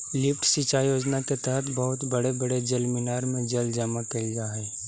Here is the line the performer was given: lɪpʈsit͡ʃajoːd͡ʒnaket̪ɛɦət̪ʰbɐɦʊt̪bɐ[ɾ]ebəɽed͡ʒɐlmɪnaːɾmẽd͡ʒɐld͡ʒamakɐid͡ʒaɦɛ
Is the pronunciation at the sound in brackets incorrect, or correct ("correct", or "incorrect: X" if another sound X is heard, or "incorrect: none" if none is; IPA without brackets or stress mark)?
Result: incorrect: ɽ